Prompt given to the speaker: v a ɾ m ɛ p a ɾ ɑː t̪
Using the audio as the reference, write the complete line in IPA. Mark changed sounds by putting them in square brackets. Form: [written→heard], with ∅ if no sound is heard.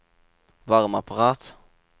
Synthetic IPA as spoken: v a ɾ m [ɛ→a] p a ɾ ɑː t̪